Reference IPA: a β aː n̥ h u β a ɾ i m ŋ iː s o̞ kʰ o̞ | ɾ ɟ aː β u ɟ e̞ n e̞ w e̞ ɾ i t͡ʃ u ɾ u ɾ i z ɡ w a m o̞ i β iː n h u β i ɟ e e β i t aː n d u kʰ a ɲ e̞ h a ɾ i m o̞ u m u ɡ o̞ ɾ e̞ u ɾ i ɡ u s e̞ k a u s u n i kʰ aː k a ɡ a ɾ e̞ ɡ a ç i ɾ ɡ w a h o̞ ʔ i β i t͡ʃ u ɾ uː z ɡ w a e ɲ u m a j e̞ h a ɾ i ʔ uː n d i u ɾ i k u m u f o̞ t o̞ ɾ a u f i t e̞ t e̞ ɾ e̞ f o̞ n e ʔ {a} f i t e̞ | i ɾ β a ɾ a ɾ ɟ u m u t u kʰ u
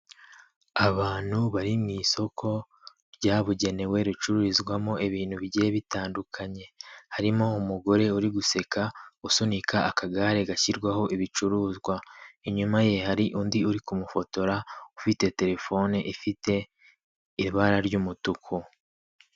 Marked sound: incorrect: i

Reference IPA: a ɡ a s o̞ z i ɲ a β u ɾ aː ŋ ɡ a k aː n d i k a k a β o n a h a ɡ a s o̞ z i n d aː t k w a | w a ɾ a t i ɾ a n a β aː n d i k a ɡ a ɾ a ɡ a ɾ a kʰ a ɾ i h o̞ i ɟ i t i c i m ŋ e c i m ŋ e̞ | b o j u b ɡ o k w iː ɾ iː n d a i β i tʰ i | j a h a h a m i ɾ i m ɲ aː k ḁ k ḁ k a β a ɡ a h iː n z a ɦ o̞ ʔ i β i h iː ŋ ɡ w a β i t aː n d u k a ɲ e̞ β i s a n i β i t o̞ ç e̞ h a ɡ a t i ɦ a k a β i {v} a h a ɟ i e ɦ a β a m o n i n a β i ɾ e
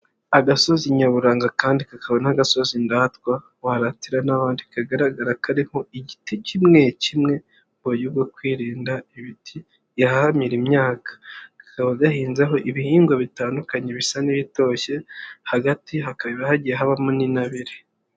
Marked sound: incorrect: β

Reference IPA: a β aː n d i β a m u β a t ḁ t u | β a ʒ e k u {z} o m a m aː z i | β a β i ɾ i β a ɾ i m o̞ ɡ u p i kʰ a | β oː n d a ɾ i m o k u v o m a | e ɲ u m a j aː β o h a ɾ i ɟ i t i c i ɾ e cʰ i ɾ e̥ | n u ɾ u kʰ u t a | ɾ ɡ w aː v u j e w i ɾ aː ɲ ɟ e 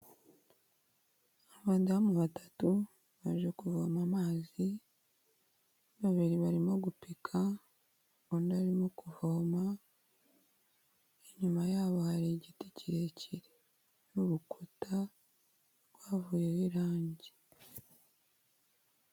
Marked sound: incorrect: v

